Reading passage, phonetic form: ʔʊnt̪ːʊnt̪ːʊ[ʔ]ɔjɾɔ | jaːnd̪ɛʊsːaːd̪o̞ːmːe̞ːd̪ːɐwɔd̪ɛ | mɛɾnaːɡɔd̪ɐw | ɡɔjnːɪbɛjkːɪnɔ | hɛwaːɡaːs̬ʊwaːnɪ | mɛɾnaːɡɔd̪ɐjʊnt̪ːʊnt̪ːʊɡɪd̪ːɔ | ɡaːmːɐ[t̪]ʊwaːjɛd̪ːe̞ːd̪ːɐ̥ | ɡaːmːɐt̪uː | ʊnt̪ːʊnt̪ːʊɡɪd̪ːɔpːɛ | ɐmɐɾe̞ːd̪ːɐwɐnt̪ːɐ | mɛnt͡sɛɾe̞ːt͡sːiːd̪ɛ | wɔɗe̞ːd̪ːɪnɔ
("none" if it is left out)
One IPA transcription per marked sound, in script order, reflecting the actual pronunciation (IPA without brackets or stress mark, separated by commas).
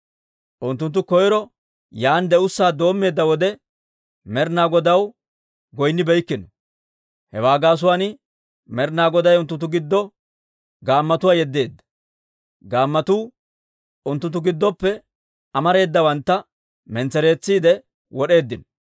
k, t̪